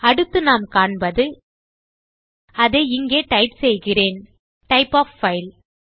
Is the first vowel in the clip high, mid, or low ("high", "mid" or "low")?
low